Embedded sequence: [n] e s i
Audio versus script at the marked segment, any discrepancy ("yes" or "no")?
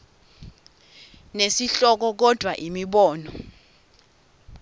no